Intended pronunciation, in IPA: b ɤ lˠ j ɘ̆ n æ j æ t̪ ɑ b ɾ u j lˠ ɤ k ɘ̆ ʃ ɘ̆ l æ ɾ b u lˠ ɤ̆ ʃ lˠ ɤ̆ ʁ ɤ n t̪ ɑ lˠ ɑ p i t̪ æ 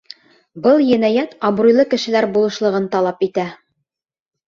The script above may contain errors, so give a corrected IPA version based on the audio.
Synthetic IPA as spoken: b ɤ lˠ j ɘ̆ n æ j æ t̪ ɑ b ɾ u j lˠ ɤ k ɘ̆ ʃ ɘ̆ l æ ɾ b u lˠ ɤ̆ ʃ lˠ ɤ̆ ʁ ɤ n t̪ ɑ lˠ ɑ p i t̪ æ